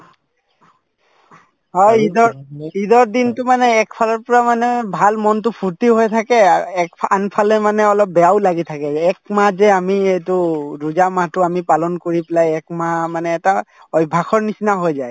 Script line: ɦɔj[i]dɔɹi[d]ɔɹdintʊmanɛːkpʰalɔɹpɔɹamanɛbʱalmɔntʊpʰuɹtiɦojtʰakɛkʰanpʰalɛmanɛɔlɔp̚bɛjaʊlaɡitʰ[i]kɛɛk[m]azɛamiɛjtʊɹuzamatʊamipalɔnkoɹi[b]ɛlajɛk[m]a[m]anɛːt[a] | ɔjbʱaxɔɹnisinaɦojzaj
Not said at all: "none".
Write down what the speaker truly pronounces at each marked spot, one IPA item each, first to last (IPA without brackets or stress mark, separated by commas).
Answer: i, d, a, m, p, m, m, a